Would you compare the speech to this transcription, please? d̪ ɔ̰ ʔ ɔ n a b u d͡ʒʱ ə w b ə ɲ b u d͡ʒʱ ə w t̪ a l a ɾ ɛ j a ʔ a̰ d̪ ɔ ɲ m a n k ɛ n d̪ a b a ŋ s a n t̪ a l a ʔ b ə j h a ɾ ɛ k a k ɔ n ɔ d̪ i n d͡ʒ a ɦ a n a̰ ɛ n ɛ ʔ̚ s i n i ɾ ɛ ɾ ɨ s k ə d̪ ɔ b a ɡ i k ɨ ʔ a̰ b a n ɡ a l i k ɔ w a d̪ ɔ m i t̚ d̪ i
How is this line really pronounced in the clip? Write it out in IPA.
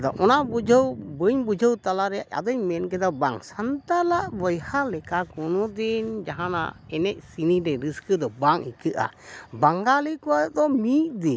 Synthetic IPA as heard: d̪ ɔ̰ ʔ ɔ n a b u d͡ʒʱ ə w b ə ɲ b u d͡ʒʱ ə w t̪ a l a ɾ ɛ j a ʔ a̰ d̪ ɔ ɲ m ɛ n k ɛ d̪ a b a ŋ s a n t̪ a l a ʔ b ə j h a l ɛ k a k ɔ n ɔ d̪ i n d͡ʒ a ɦ a n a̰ ɛ n ɛ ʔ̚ s i n i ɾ ɛ ɾ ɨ s k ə d̪ ɔ b a ŋ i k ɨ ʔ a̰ b a ŋ ɡ a l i k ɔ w a d̪ ɔ m i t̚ d̪ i